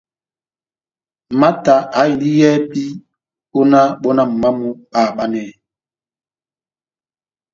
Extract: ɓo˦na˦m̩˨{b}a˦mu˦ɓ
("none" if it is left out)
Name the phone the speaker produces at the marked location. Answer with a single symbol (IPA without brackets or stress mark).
m